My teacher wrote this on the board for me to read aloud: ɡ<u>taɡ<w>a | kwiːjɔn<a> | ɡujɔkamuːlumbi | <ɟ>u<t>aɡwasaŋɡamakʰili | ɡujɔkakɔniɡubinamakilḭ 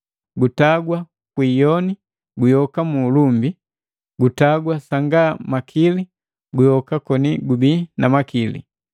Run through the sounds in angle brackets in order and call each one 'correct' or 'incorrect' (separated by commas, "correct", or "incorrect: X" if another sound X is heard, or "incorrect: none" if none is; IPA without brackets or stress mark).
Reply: correct, correct, incorrect: i, incorrect: ɡ, correct